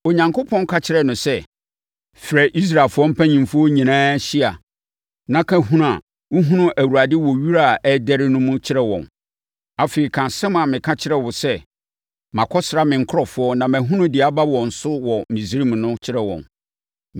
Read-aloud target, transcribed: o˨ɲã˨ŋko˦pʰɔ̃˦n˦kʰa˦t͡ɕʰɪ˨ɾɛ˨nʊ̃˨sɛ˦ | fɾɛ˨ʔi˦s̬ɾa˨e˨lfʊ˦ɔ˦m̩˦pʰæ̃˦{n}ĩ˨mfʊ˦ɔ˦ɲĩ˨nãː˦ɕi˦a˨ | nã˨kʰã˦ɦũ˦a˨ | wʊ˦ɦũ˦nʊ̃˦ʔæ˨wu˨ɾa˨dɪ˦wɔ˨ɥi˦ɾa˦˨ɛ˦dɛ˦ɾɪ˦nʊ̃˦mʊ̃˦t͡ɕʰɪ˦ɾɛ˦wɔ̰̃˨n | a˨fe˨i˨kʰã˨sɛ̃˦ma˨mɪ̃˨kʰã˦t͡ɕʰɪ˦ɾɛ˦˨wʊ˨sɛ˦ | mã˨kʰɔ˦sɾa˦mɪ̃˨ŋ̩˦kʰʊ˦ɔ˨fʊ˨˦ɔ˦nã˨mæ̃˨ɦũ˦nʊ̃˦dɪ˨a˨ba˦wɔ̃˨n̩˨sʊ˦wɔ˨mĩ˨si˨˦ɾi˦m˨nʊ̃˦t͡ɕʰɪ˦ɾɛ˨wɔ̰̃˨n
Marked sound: incorrect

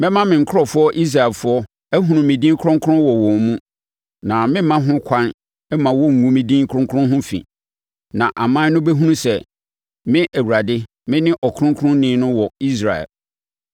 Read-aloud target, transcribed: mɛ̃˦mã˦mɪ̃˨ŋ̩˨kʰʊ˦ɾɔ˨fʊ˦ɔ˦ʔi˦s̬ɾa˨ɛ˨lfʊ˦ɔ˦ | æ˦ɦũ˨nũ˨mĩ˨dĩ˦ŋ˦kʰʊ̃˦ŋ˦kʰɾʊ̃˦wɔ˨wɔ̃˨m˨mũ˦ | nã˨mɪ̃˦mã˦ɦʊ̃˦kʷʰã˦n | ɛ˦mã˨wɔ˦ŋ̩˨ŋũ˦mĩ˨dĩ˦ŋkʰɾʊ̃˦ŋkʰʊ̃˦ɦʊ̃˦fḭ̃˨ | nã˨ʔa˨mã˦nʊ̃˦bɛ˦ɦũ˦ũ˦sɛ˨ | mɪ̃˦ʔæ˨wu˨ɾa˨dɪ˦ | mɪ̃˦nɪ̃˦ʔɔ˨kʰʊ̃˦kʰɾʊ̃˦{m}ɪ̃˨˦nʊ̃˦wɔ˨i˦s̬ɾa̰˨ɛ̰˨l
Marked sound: incorrect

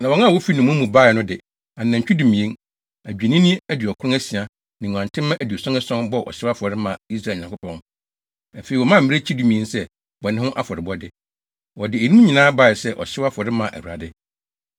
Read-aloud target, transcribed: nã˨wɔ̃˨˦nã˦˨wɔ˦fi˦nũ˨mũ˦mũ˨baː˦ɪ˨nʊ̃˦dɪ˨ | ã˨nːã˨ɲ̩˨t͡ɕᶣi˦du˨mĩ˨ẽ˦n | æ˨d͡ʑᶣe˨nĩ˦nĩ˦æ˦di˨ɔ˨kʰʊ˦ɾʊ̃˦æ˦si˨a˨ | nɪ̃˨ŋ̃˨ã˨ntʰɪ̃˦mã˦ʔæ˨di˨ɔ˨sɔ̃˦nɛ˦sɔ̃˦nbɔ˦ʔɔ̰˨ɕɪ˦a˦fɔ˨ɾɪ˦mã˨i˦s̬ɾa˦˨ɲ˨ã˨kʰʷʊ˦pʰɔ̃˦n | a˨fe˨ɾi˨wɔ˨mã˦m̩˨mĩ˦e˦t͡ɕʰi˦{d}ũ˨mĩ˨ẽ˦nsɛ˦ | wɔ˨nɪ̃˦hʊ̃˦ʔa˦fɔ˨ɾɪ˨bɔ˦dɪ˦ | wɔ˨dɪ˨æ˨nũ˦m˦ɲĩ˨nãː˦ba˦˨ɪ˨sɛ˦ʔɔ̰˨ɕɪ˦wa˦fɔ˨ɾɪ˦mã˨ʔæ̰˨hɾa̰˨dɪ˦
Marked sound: correct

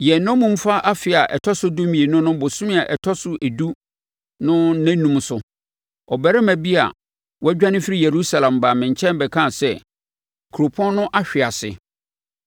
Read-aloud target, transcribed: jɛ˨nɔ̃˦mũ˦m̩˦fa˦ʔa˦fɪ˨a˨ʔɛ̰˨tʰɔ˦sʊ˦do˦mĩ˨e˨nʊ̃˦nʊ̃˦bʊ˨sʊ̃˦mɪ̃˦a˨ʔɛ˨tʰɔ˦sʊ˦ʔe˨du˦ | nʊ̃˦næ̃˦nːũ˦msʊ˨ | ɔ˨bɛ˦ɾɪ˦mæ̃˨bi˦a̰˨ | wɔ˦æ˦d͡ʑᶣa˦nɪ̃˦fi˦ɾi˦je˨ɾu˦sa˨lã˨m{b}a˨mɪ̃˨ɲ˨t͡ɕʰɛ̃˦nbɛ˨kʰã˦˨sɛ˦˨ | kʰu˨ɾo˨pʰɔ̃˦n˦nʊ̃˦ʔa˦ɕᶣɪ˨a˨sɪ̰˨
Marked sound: correct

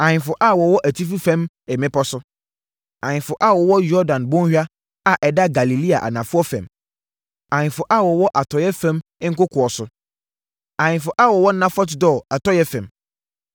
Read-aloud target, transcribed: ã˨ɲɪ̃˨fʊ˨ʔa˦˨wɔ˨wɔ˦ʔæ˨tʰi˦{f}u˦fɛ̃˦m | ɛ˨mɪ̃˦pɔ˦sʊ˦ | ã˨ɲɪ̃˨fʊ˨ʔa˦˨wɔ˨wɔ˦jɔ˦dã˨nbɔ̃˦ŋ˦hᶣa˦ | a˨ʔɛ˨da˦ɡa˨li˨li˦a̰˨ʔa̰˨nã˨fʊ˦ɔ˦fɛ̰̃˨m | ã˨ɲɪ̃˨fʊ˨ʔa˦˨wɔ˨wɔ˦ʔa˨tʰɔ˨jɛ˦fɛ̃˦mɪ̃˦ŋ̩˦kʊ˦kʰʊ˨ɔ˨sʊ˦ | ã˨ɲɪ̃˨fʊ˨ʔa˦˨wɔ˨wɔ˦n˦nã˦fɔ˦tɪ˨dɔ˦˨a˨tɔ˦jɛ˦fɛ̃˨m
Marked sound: correct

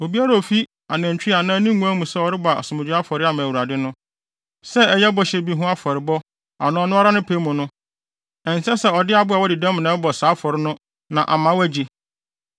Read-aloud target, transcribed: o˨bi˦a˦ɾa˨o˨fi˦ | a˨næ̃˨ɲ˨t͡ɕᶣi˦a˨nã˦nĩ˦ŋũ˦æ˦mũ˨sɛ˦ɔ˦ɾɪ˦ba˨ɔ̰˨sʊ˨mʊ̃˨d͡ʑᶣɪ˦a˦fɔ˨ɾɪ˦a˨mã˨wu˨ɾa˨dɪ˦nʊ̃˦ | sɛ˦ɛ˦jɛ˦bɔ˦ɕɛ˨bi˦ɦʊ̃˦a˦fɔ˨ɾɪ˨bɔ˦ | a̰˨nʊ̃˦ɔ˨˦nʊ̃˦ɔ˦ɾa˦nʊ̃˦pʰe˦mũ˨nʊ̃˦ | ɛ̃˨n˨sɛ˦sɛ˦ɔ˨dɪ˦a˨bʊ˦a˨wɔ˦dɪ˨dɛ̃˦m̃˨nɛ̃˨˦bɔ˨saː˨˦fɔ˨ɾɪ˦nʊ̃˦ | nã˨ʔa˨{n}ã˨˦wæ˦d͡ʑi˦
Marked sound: incorrect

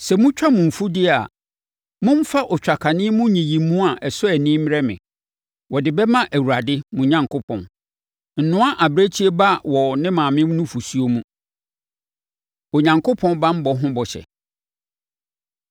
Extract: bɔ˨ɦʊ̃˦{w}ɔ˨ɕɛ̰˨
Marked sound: incorrect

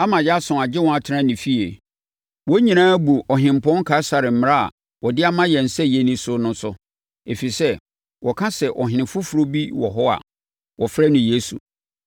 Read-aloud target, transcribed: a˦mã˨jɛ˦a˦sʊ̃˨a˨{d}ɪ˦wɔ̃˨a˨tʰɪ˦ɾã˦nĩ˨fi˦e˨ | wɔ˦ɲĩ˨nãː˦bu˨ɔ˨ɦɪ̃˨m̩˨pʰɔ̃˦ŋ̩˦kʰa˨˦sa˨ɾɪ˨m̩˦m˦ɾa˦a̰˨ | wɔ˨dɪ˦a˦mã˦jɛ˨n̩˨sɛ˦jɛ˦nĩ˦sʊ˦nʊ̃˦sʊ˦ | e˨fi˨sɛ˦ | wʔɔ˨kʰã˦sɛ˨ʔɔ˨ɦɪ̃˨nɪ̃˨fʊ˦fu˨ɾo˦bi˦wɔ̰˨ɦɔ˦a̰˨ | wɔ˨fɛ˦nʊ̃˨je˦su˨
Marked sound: incorrect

